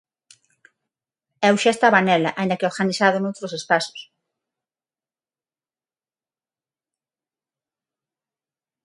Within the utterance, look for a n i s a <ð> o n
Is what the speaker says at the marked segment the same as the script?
yes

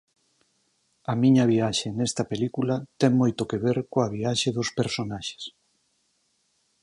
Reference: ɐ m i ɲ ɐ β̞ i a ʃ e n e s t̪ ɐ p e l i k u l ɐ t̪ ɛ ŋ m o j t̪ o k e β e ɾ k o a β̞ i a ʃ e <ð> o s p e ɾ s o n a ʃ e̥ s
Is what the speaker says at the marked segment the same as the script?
yes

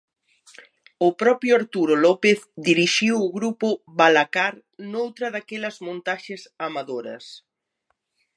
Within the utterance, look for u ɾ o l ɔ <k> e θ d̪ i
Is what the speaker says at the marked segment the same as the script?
no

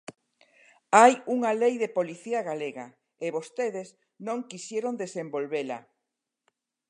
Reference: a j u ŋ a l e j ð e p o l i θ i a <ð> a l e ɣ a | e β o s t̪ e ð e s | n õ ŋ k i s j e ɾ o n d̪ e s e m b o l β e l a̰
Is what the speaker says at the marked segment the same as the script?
no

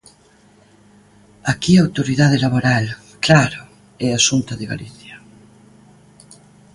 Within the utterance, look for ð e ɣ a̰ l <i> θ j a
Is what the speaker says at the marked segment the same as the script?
yes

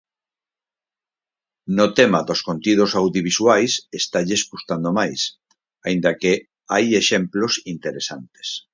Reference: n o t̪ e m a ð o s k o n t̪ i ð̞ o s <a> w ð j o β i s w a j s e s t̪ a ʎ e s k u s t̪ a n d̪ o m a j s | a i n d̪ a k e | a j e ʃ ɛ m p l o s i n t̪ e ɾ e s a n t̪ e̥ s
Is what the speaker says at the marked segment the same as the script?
yes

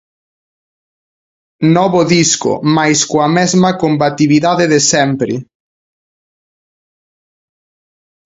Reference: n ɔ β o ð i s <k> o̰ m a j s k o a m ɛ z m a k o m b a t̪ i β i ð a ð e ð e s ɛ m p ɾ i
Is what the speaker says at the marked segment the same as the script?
yes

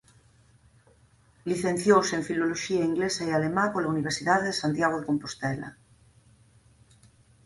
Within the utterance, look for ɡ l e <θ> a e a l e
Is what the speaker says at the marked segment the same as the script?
no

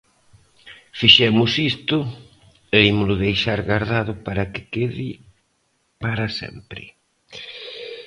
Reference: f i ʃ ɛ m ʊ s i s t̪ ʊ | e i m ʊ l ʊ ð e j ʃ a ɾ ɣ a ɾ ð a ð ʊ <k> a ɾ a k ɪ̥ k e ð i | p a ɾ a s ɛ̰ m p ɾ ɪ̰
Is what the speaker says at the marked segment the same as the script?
no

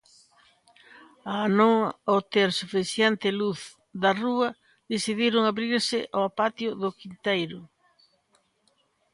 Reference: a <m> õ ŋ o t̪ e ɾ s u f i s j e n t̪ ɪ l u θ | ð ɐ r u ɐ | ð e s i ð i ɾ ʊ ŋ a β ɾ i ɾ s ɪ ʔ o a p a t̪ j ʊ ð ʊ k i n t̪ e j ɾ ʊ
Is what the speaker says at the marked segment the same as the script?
no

